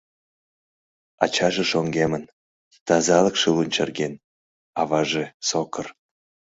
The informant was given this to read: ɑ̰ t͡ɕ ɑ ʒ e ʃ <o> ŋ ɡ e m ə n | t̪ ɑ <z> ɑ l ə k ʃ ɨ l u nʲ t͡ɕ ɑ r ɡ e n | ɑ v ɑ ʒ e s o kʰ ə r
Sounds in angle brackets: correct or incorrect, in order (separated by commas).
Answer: correct, correct